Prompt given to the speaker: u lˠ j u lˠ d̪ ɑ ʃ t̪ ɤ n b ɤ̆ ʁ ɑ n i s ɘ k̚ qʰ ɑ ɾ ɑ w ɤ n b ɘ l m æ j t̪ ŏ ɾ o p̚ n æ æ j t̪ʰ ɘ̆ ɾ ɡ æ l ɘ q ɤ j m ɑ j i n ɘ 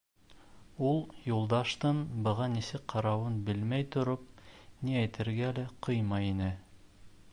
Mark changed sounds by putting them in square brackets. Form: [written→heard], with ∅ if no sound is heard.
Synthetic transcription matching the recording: u lˠ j u lˠ d̪ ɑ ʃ t̪ ɤ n b ɤ̆ ʁ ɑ n i s ɘ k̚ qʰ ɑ ɾ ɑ w ɤ n b ɘ l m æ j t̪ ŏ ɾ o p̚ n [æ→i] æ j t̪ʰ ɘ̆ ɾ ɡ æ l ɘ q ɤ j m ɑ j i n ɘ

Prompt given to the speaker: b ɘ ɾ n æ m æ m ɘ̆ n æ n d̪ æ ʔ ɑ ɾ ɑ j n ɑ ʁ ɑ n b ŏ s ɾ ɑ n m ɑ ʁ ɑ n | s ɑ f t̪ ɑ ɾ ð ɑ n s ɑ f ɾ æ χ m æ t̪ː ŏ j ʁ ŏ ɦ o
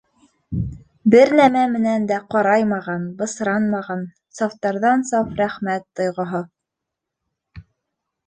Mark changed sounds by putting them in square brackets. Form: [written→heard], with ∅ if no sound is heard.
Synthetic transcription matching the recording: b ɘ ɾ n æ m æ m ɘ̆ n æ n d̪ æ [ʔ→q] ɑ ɾ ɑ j [n→m] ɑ ʁ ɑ n b [ŏ→ɤ̆] s ɾ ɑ n m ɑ ʁ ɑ n | s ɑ f t̪ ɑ ɾ ð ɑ n s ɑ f ɾ æ χ m æ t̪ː ŏ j ʁ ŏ ɦ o

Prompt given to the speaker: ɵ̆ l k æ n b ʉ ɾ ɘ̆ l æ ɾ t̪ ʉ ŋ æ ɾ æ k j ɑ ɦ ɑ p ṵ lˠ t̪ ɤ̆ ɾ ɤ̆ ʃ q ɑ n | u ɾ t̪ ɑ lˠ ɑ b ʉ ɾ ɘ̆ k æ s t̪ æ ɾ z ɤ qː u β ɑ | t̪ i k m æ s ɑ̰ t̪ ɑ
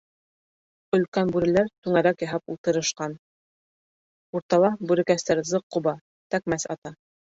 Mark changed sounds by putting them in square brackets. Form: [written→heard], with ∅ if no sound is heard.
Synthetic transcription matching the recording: ɵ̆ l k æ n b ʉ ɾ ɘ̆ l æ ɾ t̪ ʉ ŋ æ ɾ æ k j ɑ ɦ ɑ p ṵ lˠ t̪ ɤ̆ ɾ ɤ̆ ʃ q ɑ n | u ɾ t̪ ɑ lˠ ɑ b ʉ ɾ ɘ̆ k æ s t̪ æ ɾ z ɤ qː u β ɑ | t̪ [i→æ] k m æ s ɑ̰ t̪ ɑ

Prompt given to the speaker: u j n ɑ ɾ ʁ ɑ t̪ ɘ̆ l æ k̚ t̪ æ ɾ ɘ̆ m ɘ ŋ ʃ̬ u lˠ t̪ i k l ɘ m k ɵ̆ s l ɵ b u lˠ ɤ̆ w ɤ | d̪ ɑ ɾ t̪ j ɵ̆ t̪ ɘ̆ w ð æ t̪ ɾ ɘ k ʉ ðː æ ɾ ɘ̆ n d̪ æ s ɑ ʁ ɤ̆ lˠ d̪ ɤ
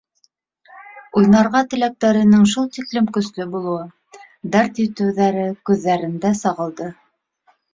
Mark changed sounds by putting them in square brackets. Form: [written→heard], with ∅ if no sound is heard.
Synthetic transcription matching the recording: u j n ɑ ɾ ʁ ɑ t̪ ɘ̆ l æ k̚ t̪ æ ɾ ɘ̆ [m→n] ɘ ŋ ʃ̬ u lˠ t̪ i k l ɘ m k ɵ̆ s l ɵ b u lˠ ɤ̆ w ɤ | d̪ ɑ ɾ t̪ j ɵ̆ t̪ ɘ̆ w ð æ [t̪→∅] ɾ ɘ k ʉ ðː æ ɾ ɘ̆ n d̪ æ s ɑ ʁ ɤ̆ lˠ d̪ ɤ

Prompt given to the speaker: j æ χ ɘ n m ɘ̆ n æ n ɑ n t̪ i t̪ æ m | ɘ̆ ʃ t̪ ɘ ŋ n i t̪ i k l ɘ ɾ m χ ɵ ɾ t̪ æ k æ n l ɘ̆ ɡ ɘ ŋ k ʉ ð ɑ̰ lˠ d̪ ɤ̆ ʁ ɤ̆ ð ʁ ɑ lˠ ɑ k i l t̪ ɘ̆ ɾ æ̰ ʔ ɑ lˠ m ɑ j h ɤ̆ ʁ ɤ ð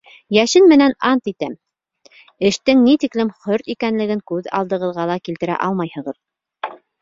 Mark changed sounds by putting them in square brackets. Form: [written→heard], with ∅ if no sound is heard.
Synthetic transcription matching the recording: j æ [χ→ʃ] ɘ n m ɘ̆ n æ n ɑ n t̪ i t̪ æ m | ɘ̆ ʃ t̪ ɘ ŋ n i t̪ i k l ɘ [ɾ→∅] m χ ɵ ɾ t̪ [æ→i] k æ n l ɘ̆ ɡ ɘ ŋ k ʉ ð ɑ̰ lˠ d̪ ɤ̆ ʁ ɤ̆ ð ʁ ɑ lˠ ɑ k i l t̪ ɘ̆ ɾ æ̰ ʔ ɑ lˠ m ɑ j h ɤ̆ ʁ ɤ ð

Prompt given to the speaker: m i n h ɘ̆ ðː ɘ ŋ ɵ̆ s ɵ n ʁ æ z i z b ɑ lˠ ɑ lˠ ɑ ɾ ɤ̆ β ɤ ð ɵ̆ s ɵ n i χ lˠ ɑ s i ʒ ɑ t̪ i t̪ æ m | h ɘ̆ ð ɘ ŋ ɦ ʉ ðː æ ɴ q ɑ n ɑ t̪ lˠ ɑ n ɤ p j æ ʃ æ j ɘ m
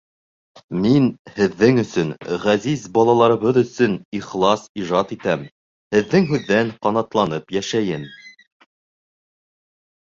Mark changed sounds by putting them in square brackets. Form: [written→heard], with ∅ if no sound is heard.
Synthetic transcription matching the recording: m i n h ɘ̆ ðː ɘ ŋ ɵ̆ s ɵ n ʁ æ z i z b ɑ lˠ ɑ lˠ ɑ ɾ ɤ̆ β ɤ ð ɵ̆ s ɵ n i χ lˠ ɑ s i ʒ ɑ t̪ i t̪ æ m | h ɘ̆ [ð→ðː] ɘ ŋ ɦ ʉ ðː æ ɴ q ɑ n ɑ t̪ lˠ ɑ n ɤ p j æ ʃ æ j ɘ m

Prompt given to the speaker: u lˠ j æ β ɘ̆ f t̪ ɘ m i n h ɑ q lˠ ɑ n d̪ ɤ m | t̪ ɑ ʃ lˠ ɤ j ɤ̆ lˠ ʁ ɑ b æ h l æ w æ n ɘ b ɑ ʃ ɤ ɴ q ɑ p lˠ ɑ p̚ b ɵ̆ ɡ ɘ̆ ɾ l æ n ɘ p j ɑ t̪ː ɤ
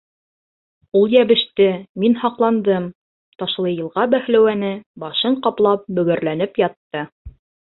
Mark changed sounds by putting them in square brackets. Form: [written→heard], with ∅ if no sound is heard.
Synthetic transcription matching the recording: u lˠ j æ β ɘ̆ [f→ʃ] t̪ ɘ m i n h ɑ q lˠ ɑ n d̪ ɤ m | t̪ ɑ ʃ lˠ ɤ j ɤ̆ lˠ ʁ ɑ b æ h l æ w æ n ɘ b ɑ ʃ ɤ ɴ q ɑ p lˠ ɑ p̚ b ɵ̆ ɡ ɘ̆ ɾ l æ n ɘ p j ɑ t̪ː ɤ

